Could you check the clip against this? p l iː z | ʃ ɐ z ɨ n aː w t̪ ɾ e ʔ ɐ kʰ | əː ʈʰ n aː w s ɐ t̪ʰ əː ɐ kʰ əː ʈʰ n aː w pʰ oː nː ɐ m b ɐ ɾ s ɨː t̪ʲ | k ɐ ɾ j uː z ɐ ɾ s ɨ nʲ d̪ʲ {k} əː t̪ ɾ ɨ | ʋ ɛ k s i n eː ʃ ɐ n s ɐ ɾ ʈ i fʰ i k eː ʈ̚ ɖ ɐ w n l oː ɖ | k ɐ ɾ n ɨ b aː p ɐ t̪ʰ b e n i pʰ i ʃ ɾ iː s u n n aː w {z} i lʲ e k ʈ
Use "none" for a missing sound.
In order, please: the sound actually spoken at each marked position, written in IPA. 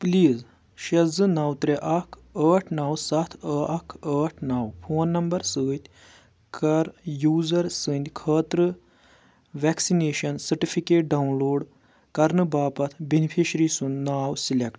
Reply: kʰ, s

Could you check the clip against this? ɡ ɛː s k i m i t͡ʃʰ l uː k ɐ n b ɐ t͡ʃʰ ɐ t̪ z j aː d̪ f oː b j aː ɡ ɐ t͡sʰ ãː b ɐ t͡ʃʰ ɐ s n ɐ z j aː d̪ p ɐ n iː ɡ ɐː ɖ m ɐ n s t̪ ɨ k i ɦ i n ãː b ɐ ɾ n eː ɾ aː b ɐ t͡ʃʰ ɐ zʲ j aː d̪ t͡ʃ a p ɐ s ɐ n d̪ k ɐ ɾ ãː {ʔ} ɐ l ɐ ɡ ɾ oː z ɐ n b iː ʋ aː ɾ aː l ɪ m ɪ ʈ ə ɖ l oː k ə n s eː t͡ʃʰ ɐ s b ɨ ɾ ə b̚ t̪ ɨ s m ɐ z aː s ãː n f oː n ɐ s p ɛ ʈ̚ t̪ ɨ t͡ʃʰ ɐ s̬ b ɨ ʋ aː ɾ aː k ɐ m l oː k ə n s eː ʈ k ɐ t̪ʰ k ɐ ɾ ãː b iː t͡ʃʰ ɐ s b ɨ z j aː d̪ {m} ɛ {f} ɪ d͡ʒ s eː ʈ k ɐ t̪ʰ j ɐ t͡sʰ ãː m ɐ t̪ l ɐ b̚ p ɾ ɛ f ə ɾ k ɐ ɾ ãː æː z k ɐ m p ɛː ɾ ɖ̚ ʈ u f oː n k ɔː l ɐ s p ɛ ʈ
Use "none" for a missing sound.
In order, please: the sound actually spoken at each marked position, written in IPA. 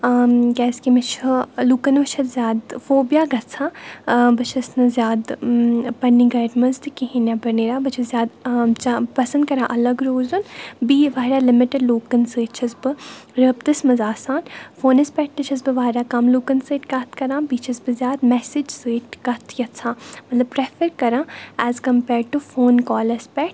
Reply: ʔ, m, s

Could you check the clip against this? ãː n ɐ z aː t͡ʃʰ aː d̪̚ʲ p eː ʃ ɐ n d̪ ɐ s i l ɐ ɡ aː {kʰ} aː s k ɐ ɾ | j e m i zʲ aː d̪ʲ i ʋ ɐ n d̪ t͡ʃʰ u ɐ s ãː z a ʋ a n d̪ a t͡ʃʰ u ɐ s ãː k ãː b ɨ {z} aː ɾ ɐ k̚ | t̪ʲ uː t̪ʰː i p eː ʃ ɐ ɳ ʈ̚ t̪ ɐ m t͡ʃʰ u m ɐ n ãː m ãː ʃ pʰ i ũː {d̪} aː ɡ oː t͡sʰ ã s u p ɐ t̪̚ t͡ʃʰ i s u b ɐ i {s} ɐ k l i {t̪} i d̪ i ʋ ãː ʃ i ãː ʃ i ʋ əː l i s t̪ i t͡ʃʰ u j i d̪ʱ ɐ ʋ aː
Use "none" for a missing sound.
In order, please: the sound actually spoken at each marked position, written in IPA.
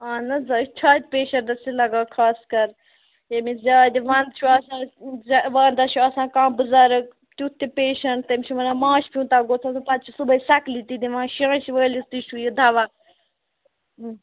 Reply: kʰ, z, t̪, s, t̪

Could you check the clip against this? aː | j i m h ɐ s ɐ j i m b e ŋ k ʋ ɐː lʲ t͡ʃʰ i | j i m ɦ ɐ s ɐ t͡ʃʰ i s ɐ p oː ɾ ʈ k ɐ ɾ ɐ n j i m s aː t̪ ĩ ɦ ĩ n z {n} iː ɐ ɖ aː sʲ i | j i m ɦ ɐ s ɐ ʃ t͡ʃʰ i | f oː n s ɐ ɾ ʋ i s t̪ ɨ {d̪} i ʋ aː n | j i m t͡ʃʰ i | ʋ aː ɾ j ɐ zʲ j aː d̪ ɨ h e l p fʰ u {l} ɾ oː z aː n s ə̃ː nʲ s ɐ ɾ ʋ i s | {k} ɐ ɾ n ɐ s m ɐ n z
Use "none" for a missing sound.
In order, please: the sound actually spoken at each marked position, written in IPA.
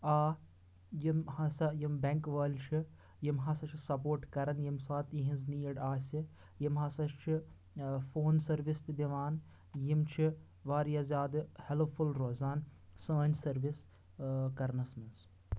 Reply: n, d̪, l, k

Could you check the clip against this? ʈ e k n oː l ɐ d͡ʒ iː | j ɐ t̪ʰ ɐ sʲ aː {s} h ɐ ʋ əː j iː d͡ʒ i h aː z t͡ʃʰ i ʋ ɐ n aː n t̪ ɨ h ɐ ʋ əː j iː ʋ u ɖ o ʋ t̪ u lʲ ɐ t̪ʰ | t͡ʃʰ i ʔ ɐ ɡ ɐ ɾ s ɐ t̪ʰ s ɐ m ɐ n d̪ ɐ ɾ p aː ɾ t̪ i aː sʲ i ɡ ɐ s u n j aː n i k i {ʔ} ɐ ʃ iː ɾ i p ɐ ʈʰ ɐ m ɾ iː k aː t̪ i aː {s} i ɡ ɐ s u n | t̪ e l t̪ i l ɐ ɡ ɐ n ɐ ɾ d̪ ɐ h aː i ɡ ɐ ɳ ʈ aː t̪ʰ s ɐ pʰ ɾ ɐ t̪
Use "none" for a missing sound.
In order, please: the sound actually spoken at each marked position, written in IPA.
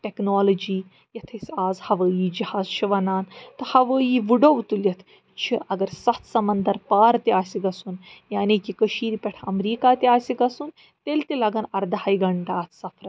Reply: z, k, s

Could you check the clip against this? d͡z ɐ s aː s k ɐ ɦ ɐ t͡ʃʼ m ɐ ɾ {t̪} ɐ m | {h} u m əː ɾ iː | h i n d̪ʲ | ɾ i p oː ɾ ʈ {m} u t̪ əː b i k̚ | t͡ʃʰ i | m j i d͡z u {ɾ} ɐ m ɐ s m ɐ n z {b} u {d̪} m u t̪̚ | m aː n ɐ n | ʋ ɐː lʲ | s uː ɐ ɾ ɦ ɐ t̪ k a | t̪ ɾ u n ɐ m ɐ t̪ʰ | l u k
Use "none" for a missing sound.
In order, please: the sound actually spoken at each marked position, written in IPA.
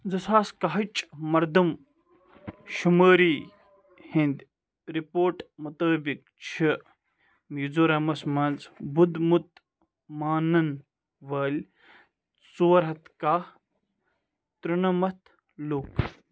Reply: d̪, ʃ, m, ɾ, b, d̪

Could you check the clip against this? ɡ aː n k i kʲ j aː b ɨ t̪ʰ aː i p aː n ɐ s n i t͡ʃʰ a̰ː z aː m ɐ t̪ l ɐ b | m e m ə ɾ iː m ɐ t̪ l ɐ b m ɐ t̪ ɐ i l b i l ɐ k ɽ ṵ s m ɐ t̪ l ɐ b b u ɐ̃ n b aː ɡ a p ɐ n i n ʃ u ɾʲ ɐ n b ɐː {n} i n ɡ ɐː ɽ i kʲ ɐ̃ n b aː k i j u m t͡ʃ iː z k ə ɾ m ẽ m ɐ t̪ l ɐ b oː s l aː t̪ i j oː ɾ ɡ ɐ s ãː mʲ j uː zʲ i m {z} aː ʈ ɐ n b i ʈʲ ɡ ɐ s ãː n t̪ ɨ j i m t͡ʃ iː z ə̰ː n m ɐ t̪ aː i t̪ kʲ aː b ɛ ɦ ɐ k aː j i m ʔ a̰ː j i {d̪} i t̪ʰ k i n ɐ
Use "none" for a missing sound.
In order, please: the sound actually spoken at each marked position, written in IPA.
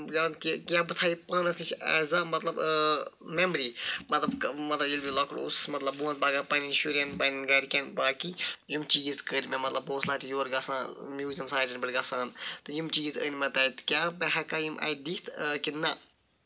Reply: n, s, d̪

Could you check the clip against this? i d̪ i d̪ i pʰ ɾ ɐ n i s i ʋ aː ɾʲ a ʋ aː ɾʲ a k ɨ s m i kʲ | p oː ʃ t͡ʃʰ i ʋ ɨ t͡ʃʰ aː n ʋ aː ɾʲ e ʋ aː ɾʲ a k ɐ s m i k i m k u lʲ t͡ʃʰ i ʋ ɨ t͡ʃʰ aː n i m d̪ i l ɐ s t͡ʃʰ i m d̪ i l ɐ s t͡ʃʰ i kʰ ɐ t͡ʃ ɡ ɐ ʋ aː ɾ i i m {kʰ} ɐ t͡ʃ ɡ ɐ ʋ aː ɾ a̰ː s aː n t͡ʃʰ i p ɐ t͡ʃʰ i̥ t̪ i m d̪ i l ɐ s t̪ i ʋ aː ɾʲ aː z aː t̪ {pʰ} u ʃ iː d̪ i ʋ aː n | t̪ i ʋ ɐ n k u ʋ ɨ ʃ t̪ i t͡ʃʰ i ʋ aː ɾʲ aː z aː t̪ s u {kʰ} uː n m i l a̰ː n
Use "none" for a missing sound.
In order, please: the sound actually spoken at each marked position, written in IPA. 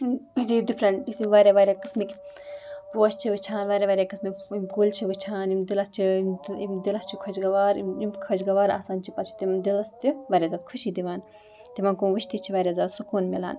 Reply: kʰ, kʰ, k

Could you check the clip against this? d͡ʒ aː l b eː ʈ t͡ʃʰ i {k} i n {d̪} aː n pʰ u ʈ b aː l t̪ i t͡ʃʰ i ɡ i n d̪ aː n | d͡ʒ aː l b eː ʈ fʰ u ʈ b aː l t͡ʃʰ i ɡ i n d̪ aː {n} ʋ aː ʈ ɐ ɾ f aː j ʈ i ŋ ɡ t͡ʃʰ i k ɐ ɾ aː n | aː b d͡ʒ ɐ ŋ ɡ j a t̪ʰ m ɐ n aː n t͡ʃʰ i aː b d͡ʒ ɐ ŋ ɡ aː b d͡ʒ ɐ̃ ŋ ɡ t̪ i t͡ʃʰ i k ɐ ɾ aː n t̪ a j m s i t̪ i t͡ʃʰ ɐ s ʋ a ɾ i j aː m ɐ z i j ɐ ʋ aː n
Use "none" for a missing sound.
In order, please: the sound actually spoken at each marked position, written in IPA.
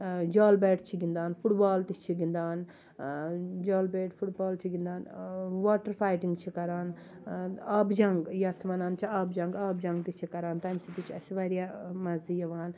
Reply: ɡ, d̪, n

